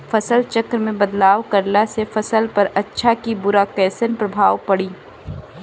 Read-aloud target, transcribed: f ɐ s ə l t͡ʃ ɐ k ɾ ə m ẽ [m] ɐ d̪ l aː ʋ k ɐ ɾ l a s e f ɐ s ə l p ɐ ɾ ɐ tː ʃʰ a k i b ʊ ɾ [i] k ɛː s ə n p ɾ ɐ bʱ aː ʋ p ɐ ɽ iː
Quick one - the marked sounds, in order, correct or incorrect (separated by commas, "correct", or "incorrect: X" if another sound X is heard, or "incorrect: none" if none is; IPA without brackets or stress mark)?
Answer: incorrect: b, incorrect: a